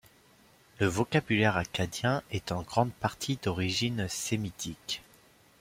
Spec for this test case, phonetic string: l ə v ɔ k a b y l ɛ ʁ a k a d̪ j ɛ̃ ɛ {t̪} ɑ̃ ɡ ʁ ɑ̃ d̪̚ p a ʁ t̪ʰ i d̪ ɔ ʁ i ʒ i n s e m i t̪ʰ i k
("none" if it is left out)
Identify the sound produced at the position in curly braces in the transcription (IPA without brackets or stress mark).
t̪